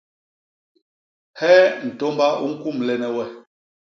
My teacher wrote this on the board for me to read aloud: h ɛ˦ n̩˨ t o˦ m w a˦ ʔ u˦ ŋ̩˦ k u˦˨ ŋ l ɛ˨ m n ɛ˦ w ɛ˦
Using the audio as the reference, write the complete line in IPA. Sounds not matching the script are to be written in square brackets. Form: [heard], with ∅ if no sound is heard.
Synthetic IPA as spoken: h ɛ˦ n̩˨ t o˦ m [b] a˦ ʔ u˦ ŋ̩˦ k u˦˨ [m] l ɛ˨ [∅] n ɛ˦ w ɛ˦